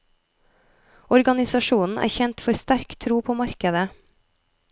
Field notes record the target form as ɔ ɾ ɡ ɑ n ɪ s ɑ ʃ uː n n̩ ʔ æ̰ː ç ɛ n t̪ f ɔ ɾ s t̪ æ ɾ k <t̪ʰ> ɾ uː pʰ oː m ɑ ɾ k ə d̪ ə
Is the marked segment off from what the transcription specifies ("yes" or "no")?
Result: no